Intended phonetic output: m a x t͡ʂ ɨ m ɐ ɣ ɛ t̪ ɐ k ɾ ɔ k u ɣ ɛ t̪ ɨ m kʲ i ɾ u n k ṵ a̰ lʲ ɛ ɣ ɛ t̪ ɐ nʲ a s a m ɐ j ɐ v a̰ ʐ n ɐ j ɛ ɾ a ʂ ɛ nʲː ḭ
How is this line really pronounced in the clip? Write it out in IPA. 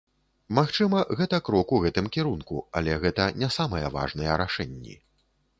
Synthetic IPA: m a x t͡ʂ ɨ m ɐ ɣ ɛ t̪ ɐ k ɾ ɔ k u ɣ ɛ t̪ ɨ m kʲ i ɾ u n k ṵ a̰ lʲ ɛ ɣ ɛ t̪ ɐ nʲ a s a m ɐ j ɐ v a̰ ʐ n ɐ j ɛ ɾ a ʂ ɛ nʲː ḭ